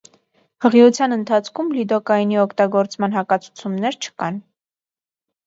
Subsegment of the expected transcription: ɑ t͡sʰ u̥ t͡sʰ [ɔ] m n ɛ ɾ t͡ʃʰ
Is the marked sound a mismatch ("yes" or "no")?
yes